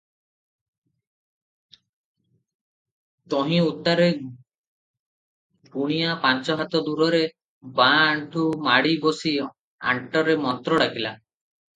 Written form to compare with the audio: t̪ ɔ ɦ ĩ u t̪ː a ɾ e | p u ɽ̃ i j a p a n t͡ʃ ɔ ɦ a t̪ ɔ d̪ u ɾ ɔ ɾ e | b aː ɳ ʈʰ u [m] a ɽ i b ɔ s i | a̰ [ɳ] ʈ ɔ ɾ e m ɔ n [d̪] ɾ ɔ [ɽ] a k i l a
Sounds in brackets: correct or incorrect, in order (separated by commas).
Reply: correct, correct, incorrect, correct